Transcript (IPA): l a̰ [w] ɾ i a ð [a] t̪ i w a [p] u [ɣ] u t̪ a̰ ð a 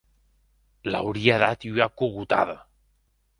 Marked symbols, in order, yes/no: yes, yes, no, yes

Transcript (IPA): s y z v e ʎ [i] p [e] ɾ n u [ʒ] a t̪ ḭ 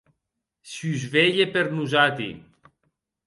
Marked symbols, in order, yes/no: no, yes, no

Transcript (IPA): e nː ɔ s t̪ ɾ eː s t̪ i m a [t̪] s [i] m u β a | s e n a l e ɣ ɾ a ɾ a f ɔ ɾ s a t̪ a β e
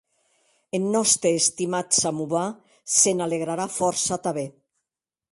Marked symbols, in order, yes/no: yes, no

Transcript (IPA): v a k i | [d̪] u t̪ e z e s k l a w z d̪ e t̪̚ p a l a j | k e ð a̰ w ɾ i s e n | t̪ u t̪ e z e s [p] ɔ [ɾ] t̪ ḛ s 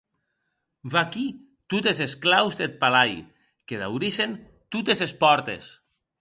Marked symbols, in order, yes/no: no, yes, yes

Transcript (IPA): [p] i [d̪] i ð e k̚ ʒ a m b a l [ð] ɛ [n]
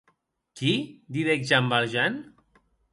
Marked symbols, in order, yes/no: no, yes, no, yes

